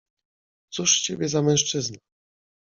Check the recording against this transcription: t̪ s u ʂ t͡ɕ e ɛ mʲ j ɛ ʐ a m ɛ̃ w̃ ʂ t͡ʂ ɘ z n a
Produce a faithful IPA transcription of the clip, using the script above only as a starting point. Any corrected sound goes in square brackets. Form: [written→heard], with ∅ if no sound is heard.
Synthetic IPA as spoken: t̪ s u ʂ t͡ɕ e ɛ [mʲ→bʲ] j ɛ [ʐ→z] a m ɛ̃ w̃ ʂ t͡ʂ ɘ z n a